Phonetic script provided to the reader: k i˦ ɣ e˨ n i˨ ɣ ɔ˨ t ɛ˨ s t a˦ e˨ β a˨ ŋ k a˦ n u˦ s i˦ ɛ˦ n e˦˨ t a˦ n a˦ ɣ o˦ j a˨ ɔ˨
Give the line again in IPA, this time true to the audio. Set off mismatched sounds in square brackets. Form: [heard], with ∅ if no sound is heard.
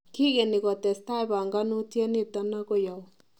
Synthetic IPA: k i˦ ɣ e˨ n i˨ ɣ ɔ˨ t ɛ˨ s t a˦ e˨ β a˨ ŋ [ɡ] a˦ n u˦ [t] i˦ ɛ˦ n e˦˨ t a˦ n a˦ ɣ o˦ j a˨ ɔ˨